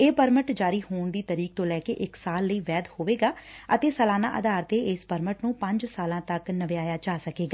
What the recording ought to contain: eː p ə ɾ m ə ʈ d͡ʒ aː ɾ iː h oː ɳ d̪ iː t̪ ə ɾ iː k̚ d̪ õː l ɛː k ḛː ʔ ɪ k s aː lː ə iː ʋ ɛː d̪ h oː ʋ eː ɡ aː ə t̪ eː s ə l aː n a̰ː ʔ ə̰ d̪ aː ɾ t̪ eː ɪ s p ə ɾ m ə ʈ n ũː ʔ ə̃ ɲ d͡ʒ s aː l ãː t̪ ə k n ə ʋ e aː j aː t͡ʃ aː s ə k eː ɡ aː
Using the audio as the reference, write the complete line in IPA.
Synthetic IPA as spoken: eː p ə ɾ m ə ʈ d͡ʒ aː ɾ iː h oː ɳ d̪ iː t̪ ə ɾ iː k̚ t̪ õː l ɛː k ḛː ʔ ɪ k s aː lː ə iː ʋ ɛː d̪ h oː ʋ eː ɡ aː ə t̪ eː s ə l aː n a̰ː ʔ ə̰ d̪ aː ɾ t̪ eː ɪ s p ə ɾ m ə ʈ n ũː p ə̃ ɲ d͡ʒ s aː l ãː t̪ ə k n ə ʋ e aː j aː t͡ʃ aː s ə k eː ɡ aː

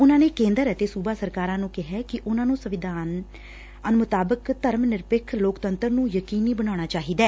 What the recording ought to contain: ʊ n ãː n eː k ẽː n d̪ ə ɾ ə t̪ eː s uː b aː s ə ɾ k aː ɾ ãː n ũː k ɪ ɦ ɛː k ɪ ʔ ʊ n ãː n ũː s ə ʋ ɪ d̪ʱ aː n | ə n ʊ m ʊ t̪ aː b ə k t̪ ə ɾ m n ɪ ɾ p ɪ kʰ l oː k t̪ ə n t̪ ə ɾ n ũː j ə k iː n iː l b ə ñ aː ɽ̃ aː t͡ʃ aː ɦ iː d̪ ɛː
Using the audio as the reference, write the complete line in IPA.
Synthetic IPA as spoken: ʊ n ãː n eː k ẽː n d̪ ə ɾ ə t̪ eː s uː b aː s ə ɾ k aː ɾ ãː n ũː k ɪ ɦ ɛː k ɪ ʔ ʊ n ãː n ũː s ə ʋ ɪ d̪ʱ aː n | ə n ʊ m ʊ t̪ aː b ə k t̪ ə ɾ m n ɪ ɾ p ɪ kʰ l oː k t̪ ə n t̪ ə ɾ n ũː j ə k iː n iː b ə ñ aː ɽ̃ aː t͡ʃ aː ɦ iː d̪ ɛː

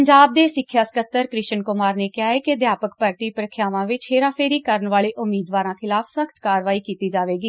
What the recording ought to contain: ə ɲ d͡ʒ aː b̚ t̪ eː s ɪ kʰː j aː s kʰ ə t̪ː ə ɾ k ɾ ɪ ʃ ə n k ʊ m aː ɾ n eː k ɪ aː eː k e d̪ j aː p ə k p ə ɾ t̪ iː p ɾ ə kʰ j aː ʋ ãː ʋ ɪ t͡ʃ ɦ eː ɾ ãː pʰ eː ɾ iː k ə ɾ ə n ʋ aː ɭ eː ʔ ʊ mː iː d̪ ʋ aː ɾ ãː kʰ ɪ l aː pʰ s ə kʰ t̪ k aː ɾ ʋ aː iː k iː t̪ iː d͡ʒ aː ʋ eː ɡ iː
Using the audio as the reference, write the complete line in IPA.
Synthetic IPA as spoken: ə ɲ d͡ʒ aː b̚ d̪ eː s ɪ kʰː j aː s k ə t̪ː ə ɾ k ɾ ɪ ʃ ə n k ʊ m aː ɾ n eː k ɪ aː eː k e d̪ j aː p ə k p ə ɾ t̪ iː p ɾ ə kʰ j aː ʋ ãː ʋ ɪ t͡ʃ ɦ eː ɾ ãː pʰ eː ɾ iː k ə ɾ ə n ʋ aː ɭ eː ʔ ʊ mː iː d̪ ʋ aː ɾ ãː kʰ ɪ l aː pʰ s ə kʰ t̪ k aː ɾ ʋ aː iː k iː t̪ iː d͡ʒ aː ʋ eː ɡ iː

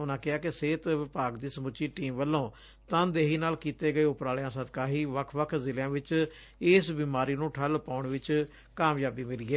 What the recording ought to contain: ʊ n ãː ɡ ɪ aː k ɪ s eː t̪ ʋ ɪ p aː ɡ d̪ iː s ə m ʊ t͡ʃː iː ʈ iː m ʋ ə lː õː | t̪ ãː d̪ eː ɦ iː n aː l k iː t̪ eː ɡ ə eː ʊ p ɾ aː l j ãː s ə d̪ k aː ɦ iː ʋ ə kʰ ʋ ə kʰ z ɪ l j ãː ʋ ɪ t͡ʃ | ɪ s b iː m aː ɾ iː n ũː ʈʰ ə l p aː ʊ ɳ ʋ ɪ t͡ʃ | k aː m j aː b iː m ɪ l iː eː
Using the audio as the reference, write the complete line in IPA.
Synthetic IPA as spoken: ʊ n ãː k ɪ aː k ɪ s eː t̪ ʋ ɪ p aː ɡ d̪ iː s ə m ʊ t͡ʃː iː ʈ iː m ʋ ə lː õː | t̪ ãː d̪ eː ɦ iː n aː l k iː t̪ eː ɡ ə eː ʊ p ɾ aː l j ãː s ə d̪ k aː ɦ iː ʋ ə kʰ ʋ ə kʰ z ɪ l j ãː ʋ ɪ t͡ʃ | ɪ s b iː m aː ɾ iː n ũː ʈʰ ə l p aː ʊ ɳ ʋ ɪ t͡ʃ | k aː m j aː b iː m ɪ l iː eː

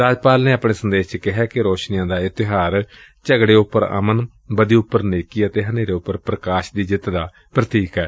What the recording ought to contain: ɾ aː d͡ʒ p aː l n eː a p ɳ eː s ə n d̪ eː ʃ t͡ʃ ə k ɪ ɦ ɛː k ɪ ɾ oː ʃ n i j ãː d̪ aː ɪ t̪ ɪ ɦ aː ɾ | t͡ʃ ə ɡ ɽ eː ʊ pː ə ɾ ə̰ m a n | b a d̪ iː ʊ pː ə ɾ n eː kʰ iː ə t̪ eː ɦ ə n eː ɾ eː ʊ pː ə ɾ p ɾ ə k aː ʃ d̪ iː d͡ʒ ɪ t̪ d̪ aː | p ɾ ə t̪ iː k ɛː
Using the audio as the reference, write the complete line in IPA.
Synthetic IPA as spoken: ɾ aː d͡ʒ p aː l n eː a p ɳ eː s ə n d̪ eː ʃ t͡ʃ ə k ɪ ɦ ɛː k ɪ ɾ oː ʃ n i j ãː d̪ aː ɪ t̪ ɪ ɦ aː ɾ | t͡ʃ ə ɡ ɽ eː ʊ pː ə ɾ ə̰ m ə n | b ə d̪ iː ʊ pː ə ɾ n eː k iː ə t̪ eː ɦ ə n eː ɾ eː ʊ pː ə ɾ p ɾ ə k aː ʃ d̪ iː d͡ʒ ɪ t̪ d̪ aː | p ɾ ə t̪ iː k ɛː

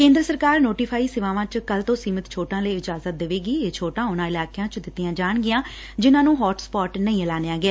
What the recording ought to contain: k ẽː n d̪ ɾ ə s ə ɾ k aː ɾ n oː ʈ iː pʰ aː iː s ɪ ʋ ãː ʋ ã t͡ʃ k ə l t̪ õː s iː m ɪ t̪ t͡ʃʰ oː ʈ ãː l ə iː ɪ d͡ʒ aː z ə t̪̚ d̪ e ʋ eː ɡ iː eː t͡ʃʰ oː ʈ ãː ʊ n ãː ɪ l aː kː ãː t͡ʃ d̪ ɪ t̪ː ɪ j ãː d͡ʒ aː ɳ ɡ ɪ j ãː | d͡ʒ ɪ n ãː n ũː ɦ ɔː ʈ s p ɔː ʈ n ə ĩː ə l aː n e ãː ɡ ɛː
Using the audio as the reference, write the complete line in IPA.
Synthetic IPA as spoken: k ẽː n d̪ ɾ ə s ə ɾ k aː ɾ n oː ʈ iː pʰ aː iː s ɪ ʋ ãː ʋ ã t͡ʃ k ə l t̪ õː s iː m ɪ t̪ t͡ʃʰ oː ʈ ãː l ə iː ɪ d͡ʒ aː z ə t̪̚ d̪ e ʋ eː ɡ iː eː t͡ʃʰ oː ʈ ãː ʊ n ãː ɪ l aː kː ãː t͡ʃ d̪ ɪ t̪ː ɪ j ãː d͡ʒ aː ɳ ɡ ɪ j ãː | d͡ʒ ɪ n ãː n ũː ɦ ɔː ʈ s p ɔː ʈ n ə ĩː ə l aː n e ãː ɡ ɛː

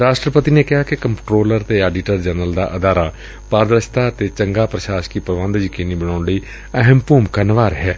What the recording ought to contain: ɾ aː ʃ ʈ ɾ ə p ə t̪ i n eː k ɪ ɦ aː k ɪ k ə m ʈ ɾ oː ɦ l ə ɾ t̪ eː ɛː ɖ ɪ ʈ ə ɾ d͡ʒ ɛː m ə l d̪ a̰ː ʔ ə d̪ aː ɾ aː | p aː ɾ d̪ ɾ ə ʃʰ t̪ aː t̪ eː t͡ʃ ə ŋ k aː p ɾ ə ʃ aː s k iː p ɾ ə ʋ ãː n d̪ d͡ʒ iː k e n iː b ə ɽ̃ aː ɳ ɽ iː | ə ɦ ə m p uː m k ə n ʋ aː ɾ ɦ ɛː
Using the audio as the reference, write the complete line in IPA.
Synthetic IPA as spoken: ɾ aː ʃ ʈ ɾ ə p ə t̪ i n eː k ɪ ɦ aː k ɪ k ə m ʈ ɾ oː l ə ɾ t̪ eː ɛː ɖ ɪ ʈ ə ɾ d͡ʒ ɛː n ə l d̪ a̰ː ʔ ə d̪ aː ɾ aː | p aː ɾ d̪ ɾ ə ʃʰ t̪ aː t̪ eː t͡ʃ ə ŋ ɡ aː p ɾ ə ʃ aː ʃ k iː p ɾ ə ʋ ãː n d̪ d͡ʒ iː k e n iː b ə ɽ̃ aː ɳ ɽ iː | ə ɦ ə m p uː m k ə n ʋ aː ɾ ɦ ɛː

